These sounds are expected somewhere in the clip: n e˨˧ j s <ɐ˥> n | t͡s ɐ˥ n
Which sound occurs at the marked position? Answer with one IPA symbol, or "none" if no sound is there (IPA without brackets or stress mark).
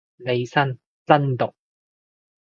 ɐ˥